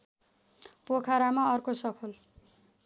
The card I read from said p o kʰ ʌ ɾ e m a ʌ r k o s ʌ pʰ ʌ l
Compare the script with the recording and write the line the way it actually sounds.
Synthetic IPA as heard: p o kʰ a ɾ a m a ʌ r k o s ʌ pʰ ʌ l